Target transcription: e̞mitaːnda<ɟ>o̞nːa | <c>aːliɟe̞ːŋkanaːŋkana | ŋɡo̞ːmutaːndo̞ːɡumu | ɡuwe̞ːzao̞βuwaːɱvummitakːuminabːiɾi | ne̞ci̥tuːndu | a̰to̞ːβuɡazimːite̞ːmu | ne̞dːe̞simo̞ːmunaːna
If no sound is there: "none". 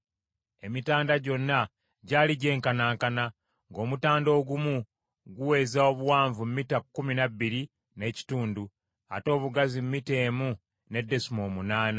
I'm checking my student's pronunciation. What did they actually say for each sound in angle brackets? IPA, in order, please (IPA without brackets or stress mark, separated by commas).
ɟ, ɟ